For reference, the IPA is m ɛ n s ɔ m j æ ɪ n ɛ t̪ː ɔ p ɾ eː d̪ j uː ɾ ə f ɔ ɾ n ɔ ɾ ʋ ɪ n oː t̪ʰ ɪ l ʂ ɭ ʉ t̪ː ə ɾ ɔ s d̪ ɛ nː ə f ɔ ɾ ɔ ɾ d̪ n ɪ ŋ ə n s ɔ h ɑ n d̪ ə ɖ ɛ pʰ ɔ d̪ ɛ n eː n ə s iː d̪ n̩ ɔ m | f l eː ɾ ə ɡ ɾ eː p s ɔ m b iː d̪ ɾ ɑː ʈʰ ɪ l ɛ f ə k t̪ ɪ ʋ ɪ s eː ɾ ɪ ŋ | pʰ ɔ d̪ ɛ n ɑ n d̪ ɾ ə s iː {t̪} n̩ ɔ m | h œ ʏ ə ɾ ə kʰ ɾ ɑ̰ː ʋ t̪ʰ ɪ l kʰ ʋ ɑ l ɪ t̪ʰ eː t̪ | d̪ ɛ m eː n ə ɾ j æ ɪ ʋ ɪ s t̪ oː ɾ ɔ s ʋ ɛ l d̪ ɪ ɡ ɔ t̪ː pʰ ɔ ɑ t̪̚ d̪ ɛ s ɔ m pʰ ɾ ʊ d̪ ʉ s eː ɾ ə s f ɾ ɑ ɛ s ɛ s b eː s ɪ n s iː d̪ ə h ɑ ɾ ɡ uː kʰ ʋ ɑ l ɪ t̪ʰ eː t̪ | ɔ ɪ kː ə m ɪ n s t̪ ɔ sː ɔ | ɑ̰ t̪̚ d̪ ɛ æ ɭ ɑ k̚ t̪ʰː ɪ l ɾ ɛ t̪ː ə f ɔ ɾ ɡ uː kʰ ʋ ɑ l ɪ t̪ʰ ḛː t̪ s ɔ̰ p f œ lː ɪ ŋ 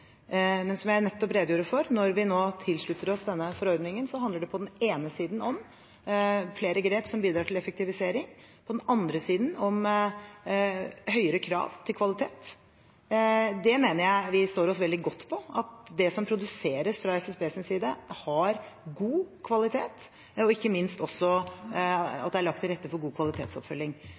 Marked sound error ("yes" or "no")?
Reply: yes